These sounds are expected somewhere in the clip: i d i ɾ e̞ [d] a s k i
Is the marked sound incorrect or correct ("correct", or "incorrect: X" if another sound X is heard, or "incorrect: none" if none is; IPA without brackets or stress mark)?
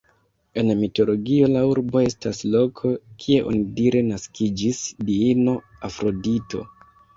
incorrect: n